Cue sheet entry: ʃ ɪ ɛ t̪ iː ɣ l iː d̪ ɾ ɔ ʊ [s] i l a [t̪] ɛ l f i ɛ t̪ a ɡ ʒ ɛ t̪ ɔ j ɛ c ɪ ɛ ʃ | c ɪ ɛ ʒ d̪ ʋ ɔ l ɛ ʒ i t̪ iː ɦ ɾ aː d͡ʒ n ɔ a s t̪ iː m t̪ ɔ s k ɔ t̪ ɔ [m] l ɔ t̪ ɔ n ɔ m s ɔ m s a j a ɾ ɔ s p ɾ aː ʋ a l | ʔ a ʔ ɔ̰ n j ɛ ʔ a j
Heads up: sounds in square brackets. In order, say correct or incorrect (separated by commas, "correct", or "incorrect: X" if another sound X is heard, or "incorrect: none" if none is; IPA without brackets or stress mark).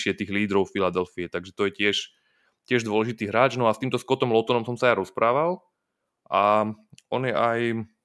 incorrect: f, incorrect: d̪, correct